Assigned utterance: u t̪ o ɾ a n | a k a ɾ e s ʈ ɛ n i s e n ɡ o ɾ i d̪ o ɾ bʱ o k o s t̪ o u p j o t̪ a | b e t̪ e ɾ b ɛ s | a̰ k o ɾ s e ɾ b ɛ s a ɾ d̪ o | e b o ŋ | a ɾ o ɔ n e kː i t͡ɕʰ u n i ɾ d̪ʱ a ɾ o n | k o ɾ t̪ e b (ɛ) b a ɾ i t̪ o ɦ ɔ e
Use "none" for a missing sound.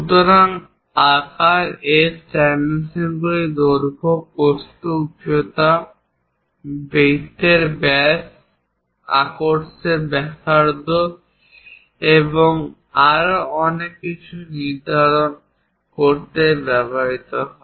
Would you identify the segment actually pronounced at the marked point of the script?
ɛ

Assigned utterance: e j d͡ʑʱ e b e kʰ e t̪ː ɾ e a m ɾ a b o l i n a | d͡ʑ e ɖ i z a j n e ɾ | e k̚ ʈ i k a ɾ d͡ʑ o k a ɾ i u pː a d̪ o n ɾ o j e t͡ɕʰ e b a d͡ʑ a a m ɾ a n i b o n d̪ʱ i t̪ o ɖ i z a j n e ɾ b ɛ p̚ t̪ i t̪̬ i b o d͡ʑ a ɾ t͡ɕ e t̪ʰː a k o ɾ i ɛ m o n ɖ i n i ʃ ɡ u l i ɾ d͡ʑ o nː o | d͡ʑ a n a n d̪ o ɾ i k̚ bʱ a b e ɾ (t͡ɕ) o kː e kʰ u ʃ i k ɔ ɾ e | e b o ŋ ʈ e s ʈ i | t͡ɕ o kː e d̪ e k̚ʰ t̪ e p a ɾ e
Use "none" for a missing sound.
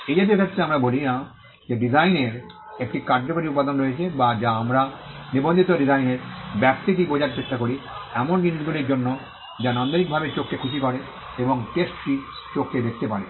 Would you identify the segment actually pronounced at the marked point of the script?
t͡ɕ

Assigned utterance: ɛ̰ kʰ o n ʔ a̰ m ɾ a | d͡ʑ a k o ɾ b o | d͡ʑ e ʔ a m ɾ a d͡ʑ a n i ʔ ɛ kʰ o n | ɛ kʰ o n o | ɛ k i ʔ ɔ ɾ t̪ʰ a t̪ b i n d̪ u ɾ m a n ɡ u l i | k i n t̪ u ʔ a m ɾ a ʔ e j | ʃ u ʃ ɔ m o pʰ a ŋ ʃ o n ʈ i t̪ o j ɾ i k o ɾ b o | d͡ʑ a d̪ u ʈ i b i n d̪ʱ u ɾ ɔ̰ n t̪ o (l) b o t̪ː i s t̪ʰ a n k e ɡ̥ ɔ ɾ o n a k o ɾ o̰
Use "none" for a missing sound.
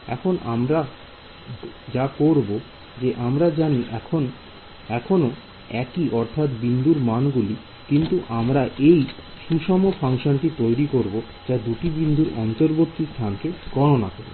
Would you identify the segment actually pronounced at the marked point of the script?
ɾ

